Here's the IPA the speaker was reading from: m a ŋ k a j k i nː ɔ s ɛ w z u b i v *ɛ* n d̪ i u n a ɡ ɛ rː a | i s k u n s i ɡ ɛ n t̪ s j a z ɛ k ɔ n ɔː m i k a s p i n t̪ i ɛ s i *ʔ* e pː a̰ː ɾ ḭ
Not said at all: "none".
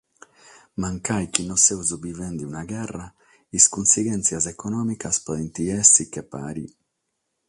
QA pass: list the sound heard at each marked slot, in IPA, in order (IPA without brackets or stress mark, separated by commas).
ɛ, k